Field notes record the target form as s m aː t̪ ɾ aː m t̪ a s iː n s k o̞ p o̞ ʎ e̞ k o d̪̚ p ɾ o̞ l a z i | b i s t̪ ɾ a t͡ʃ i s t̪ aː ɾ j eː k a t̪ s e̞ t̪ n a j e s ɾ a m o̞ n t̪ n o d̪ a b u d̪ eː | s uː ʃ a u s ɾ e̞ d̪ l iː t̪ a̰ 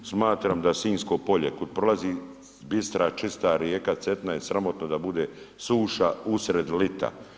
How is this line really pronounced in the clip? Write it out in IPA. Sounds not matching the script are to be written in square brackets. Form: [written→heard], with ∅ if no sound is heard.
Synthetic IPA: s m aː t̪ ɾ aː m [t̪→d̪] a s iː n s k o̞ p o̞ ʎ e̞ k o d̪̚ p ɾ o̞ l a z i | b i s t̪ ɾ a t͡ʃ i s t̪ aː ɾ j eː k a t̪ s e̞ t̪ n a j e s ɾ a m o̞ [n→∅] t̪ n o d̪ a b u d̪ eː | s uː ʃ a u s ɾ e̞ d̪ l [iː→i] t̪ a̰